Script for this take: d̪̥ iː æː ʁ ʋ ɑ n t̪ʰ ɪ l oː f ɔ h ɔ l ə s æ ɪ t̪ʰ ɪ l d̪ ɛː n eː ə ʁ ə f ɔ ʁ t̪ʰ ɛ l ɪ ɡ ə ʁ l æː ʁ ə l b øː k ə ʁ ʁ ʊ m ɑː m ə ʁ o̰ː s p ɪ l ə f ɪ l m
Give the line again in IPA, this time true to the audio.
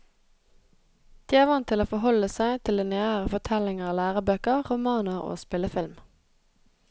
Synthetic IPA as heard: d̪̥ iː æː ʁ ʋ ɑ n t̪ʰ ɪ l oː f ɔ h ɔ l ə s æ ɪ t̪ʰ ɪ l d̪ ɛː n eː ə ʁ ə f ɔ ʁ t̪ʰ ɛ l ɪ ŋ ə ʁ l æː ʁ ə b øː k ə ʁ ʁ ʊ m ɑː n ə ʁ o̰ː s p ɪ l ə f ɪ l m